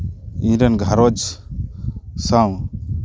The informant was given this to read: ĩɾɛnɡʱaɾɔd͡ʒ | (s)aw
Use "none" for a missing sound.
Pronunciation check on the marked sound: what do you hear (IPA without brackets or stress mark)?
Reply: s